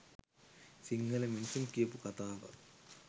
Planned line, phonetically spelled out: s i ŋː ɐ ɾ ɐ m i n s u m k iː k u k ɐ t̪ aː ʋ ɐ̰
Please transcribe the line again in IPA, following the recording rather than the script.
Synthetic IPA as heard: s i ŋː ɐ l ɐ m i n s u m k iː p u k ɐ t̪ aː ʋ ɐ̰